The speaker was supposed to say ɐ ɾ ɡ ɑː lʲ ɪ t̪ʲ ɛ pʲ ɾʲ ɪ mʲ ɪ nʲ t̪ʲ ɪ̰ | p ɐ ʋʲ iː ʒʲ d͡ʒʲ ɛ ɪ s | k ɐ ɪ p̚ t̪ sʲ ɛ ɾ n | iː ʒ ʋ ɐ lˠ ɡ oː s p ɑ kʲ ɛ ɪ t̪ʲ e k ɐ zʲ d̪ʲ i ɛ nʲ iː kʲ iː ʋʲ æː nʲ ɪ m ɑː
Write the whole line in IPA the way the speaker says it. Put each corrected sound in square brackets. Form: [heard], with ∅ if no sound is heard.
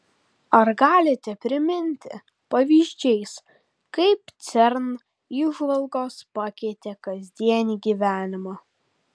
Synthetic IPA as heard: ɐ ɾ ɡ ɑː lʲ ɪ t̪ʲ ɛ pʲ ɾʲ ɪ mʲ ɪ nʲ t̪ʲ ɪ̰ | p ɐ ʋʲ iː ʒʲ d͡ʒʲ ɛ ɪ s | k ɐ ɪ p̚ t̪ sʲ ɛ ɾ n | iː ʒ ʋ ɐ lˠ ɡ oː s p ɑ kʲ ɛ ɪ t̪ʲ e k ɐ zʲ d̪ʲ i ɛ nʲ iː [ɡʲ] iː ʋʲ æː nʲ ɪ m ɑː